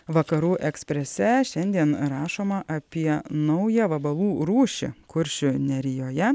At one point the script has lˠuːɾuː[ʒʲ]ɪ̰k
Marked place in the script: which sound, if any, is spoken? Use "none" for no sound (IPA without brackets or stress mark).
ʃʲ